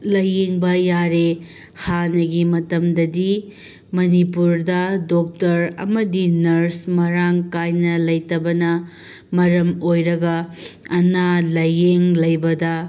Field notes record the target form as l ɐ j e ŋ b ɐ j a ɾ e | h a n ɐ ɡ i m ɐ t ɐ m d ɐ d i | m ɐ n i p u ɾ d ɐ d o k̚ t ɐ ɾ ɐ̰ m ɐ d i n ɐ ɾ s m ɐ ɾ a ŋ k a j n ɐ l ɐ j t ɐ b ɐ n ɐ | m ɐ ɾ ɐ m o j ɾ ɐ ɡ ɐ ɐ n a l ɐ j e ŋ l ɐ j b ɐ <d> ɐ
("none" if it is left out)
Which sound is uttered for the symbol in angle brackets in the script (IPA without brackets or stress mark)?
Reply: d